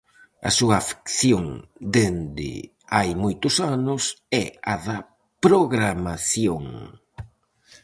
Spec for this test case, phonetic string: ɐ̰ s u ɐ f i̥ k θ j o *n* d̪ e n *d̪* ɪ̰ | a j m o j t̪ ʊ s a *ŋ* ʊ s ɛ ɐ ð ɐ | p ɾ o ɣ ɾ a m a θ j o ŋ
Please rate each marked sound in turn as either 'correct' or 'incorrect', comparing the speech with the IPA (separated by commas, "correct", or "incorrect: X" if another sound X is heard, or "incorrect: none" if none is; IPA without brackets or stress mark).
incorrect: ŋ, correct, incorrect: n